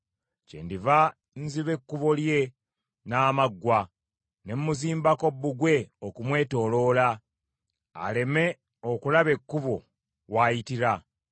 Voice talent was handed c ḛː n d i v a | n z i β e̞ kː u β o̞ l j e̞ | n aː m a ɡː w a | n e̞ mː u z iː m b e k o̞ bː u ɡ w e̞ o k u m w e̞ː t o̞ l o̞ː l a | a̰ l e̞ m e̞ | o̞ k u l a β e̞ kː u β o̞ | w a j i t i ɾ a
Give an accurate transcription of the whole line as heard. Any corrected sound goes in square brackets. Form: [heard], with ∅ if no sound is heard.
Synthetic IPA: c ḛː n d i v a | n z i β e̞ kː u β o̞ l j e̞ | n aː m a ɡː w a | n e̞ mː u z iː m b [a] k o̞ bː u ɡ w e̞ o k u m w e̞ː t o̞ l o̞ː l a | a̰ l e̞ m e̞ | o̞ k u l a β e̞ kː u β o̞ | w a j i t i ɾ a